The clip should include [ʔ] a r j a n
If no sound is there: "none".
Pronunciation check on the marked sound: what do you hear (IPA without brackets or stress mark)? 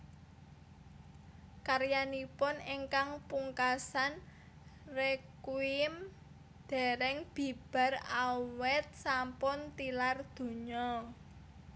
k